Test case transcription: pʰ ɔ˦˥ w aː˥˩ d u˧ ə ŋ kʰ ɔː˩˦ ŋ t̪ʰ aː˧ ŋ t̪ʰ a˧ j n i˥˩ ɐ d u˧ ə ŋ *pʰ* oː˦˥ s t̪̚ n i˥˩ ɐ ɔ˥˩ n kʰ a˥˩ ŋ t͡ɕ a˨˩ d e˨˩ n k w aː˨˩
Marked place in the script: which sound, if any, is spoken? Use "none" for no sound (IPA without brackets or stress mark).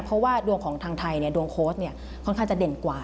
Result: kʰ